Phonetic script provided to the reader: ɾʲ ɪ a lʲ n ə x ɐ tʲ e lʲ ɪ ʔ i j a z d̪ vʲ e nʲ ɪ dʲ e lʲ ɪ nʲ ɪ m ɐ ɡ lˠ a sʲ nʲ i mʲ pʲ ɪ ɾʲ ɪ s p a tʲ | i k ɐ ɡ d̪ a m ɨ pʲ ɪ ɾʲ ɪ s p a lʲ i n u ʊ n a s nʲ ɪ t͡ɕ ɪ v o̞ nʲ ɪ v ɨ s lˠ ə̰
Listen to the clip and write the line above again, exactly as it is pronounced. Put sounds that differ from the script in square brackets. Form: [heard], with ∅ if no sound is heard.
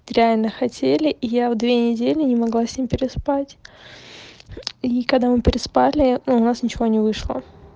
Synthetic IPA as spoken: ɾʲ ɪ a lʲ n ə x ɐ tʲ e lʲ ɪ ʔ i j a [v] d̪ vʲ e nʲ ɪ dʲ e lʲ ɪ nʲ ɪ m ɐ ɡ lˠ a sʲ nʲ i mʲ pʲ ɪ ɾʲ ɪ s p a tʲ | i k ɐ ɡ d̪ a m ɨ pʲ ɪ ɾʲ ɪ s p a lʲ [ɪ] n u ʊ n a s nʲ ɪ t͡ɕ ɪ v o̞ nʲ ɪ v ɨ [ʂ] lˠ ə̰